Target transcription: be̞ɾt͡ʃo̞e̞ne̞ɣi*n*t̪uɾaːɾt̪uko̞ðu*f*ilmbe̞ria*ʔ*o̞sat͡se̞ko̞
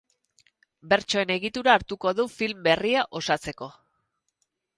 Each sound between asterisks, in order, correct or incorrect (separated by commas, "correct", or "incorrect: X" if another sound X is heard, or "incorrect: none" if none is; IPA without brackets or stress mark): incorrect: none, correct, correct